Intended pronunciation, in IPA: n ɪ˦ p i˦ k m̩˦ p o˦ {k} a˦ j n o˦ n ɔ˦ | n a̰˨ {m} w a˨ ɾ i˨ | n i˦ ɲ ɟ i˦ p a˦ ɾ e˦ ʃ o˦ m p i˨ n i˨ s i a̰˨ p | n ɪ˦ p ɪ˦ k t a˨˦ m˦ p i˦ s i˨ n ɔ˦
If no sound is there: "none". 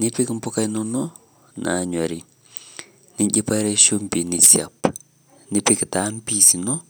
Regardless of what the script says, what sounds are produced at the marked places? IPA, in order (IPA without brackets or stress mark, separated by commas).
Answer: k, ɲ